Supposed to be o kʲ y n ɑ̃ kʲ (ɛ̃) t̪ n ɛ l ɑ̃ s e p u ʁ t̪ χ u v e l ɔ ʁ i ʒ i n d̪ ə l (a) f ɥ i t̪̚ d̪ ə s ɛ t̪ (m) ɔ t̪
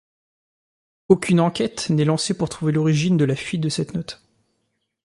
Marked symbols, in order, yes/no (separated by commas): no, yes, no